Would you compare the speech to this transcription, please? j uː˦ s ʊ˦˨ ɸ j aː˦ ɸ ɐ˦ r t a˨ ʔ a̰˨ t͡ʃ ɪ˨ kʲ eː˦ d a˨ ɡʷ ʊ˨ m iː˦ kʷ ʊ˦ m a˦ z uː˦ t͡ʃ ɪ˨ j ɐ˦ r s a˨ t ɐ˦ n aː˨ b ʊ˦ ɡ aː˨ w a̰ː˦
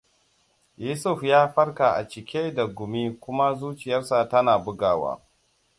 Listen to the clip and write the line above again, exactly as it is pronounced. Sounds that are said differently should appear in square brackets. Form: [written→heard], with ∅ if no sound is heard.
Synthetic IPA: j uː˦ s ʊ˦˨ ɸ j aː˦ ɸ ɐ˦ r [t→k] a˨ ʔ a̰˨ t͡ʃ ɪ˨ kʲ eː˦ d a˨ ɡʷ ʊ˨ m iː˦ kʷ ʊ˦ m a˦ z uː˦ t͡ʃ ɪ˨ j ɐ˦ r s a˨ t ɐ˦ n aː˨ b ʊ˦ ɡ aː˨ w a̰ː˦